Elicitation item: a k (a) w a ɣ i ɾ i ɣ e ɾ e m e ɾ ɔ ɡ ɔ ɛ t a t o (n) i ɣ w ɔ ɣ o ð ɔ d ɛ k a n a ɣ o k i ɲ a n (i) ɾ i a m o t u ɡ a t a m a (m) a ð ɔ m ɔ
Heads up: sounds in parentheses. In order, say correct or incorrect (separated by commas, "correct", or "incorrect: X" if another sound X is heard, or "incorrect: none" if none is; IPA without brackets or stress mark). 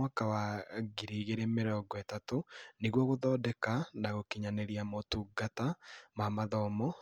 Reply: correct, correct, incorrect: e, correct